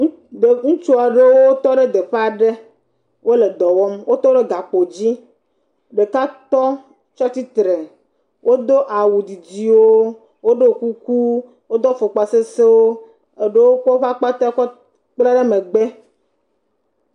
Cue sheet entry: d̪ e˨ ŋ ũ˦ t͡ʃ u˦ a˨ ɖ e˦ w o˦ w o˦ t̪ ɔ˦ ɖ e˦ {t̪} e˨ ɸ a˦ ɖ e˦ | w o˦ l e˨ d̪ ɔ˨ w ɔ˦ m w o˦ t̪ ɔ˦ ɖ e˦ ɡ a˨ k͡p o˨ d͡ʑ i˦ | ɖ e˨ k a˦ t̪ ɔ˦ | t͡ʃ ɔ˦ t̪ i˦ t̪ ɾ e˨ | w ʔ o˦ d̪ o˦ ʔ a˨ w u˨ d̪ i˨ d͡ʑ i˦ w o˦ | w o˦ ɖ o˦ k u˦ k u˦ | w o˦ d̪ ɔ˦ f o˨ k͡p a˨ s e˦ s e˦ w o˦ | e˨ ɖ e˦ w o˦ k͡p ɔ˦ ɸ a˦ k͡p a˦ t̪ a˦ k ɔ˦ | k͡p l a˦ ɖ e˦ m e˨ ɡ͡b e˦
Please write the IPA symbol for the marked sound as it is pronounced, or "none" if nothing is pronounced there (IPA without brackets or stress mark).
d̪